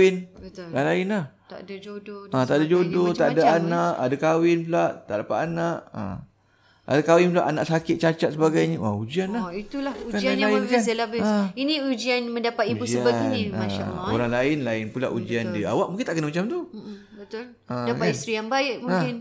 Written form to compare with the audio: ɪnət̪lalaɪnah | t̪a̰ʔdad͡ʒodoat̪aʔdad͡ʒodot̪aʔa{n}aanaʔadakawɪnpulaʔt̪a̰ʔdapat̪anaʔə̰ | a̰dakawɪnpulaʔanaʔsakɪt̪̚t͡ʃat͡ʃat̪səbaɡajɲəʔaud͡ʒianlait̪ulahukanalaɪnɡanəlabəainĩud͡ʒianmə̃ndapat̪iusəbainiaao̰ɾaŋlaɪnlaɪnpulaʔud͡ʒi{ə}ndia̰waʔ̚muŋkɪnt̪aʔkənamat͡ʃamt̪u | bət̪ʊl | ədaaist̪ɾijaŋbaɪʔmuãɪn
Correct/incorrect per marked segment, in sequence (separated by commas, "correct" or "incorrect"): incorrect, incorrect